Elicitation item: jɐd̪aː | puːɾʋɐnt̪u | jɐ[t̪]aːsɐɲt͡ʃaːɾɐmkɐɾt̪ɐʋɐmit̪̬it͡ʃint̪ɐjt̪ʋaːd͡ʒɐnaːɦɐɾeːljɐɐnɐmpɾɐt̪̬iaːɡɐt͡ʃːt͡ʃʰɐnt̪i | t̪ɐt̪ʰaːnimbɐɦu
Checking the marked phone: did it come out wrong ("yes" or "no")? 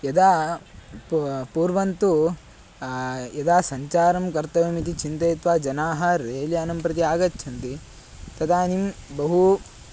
yes